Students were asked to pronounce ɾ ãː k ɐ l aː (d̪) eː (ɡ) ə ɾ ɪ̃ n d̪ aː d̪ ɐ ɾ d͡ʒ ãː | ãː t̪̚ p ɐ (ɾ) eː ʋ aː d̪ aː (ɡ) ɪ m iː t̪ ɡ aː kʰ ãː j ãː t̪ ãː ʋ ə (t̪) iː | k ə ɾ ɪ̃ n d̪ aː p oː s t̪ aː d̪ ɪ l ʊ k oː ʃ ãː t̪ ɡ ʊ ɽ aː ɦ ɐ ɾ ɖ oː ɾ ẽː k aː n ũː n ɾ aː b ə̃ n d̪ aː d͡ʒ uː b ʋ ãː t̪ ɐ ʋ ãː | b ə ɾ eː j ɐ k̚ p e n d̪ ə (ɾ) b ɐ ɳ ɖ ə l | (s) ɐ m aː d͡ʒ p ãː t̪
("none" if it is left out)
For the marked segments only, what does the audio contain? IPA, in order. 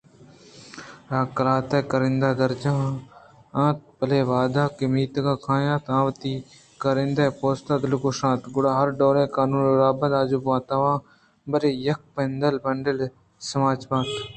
t̪, k, l, k, t̪, l, s

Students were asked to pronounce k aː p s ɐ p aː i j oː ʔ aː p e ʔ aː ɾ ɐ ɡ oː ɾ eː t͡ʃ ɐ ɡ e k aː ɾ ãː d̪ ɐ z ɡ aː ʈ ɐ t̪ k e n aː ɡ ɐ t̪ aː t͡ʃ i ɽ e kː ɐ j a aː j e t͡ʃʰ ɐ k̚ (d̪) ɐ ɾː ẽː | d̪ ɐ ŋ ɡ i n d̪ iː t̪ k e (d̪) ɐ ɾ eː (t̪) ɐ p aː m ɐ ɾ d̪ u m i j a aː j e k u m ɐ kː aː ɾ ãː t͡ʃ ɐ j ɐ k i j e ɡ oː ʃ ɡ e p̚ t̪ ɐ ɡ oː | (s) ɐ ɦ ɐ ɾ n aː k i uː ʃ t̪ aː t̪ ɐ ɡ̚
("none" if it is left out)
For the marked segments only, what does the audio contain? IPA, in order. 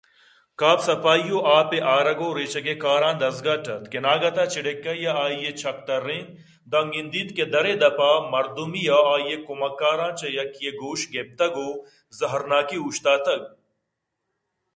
t̪, d̪, d̪, z

